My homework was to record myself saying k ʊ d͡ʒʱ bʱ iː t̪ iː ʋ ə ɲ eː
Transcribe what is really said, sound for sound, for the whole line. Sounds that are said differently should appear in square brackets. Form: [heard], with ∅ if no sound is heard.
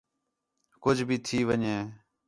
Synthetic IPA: k ʊ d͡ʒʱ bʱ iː [t̪ʰ] iː ʋ ə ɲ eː

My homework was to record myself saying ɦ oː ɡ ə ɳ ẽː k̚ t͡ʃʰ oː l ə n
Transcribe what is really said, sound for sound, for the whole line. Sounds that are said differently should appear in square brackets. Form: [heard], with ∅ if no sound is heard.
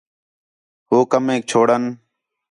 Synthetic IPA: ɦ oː [k] ə [m] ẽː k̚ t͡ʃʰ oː [ɽ] ə n

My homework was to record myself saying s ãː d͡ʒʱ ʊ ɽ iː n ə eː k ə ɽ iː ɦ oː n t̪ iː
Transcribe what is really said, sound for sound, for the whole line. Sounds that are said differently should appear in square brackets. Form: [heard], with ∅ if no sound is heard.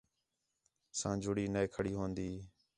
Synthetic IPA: s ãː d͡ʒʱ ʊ ɽ iː n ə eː [kʰ] ə ɽ iː ɦ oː n [d̪] iː

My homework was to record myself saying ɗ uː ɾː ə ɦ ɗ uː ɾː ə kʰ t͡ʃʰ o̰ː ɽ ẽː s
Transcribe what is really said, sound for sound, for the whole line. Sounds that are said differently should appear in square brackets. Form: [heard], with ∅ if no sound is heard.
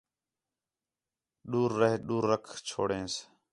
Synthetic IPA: ɗ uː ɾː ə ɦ ɗ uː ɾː ə kʰ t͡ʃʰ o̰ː ɽ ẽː s

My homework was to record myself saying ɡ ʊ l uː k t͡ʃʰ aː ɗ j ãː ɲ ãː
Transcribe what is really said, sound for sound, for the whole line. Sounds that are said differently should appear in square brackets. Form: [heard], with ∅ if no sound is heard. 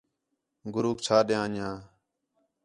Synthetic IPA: ɡ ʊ [ɾ] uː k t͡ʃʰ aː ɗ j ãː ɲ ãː

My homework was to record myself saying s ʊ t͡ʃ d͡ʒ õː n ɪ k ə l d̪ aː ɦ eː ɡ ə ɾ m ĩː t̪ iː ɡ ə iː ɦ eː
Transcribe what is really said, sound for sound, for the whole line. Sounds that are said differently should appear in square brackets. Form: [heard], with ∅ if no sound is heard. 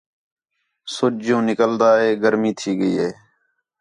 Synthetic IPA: s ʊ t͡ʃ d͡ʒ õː n ɪ k ə l d̪ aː ɦ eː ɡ ə ɾ m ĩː [t̪ʰ] iː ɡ ə iː ɦ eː

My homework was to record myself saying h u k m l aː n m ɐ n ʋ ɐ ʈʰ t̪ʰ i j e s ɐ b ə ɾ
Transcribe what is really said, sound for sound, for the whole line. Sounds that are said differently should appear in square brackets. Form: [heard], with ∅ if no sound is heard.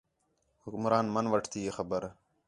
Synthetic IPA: h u k m [ɾ] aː n m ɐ n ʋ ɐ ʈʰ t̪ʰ i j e [x] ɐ b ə ɾ

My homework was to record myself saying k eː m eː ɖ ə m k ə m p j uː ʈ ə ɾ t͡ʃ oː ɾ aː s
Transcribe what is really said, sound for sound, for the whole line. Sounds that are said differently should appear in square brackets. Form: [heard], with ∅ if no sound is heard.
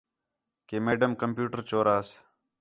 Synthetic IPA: k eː m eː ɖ ə m k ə m p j uː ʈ ə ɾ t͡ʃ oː ɾ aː s

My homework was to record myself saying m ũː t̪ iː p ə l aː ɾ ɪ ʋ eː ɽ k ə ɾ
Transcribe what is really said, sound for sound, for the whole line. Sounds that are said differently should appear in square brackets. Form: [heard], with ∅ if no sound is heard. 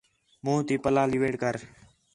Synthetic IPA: m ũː t̪ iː p ə l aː [l] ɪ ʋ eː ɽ k ə ɾ

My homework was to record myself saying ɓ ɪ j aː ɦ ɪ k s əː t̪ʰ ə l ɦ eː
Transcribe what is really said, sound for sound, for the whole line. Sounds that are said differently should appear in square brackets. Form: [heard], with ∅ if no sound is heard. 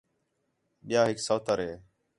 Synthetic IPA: ɓ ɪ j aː ɦ ɪ k s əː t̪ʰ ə [ɾ] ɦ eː

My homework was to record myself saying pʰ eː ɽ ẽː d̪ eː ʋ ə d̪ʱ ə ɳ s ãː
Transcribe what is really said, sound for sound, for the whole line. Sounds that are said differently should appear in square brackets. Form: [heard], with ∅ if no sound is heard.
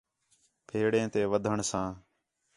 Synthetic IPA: pʰ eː ɽ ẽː [t̪] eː ʋ ə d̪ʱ ə ɳ s ãː

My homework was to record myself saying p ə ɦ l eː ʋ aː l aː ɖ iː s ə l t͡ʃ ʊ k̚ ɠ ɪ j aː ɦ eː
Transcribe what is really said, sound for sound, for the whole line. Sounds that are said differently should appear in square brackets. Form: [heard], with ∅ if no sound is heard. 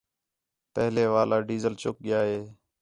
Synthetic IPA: p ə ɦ l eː ʋ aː l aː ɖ iː [z] ə l t͡ʃ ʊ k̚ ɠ ɪ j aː ɦ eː

